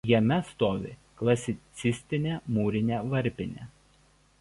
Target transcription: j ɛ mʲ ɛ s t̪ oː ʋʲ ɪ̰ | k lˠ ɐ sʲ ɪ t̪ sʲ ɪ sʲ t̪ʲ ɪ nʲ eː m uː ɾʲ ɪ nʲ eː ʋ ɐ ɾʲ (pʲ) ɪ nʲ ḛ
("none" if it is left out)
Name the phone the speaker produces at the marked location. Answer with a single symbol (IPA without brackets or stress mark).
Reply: pʲ